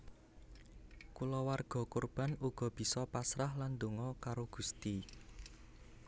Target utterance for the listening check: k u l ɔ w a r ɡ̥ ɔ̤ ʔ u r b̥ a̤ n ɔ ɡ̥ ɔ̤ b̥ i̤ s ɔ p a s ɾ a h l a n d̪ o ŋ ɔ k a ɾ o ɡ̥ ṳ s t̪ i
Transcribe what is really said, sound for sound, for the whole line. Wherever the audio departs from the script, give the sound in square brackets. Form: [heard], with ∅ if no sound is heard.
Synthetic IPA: k u l ɔ w a r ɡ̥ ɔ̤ [k] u r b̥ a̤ n [u] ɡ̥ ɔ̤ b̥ i̤ s ɔ p a s ɾ a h l a n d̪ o ŋ ɔ k a ɾ o ɡ̥ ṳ s t̪ i